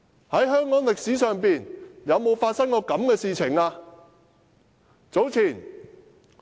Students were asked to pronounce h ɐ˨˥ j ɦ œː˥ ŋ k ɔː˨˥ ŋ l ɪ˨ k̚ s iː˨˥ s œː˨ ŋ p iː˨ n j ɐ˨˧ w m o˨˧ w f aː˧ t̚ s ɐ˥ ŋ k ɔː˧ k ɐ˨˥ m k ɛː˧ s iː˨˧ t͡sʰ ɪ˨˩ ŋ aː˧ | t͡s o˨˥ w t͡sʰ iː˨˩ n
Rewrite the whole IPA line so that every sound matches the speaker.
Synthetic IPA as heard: h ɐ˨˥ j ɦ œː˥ ŋ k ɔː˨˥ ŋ l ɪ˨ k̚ s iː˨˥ s œː˨ ŋ p iː˨ n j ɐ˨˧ w m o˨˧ w f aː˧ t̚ s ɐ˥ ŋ k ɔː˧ k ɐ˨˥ m k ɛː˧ s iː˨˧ t͡sʰ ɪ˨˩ ŋ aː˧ | t͡s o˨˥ w t͡sʰ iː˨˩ n